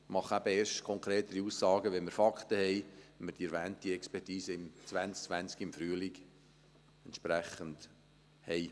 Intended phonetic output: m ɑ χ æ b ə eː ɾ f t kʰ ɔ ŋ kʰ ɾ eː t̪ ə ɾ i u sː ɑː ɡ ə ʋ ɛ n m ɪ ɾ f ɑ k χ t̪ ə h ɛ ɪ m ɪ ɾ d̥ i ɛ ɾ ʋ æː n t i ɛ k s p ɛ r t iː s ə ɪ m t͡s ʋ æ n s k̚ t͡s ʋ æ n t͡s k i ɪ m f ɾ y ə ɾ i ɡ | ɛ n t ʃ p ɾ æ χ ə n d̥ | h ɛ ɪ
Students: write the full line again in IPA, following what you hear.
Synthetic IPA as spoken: m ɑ χ æ b ə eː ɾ ʃ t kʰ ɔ ŋ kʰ ɾ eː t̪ ə ɾ i u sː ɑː ɡ ə ʋ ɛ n m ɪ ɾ f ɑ k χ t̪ ə h ɛ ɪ m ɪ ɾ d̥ i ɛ ɾ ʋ æː n t i ɛ k s p ɛ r t iː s ə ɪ m t͡s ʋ æ n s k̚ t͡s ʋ æ n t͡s k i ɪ m f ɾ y ə l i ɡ | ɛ n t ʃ p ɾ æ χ ə n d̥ | h ɛ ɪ